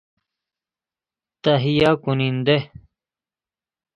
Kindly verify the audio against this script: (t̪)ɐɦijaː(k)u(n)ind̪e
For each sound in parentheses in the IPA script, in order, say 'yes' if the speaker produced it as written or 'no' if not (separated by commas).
yes, yes, yes